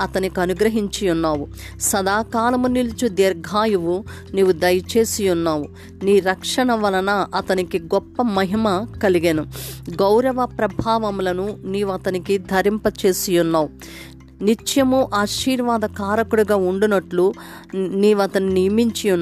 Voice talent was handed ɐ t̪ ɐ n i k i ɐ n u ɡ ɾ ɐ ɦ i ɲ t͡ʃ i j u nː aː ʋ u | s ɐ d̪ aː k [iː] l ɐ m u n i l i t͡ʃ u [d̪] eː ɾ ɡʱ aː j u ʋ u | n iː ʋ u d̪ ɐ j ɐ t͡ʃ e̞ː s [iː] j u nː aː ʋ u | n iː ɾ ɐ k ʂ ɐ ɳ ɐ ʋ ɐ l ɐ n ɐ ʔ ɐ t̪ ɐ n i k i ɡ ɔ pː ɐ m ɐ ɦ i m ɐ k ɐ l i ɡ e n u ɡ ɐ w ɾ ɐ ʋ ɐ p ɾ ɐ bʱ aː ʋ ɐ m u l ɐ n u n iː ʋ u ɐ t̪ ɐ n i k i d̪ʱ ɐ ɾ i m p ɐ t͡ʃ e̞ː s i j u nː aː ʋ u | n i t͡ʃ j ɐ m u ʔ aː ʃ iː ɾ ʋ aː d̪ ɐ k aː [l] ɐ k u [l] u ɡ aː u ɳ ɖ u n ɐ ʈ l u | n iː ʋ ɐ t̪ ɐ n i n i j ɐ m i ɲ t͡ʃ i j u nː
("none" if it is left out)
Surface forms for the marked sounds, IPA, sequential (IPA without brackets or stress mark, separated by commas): aː, d̪, i, ɾ, ɽ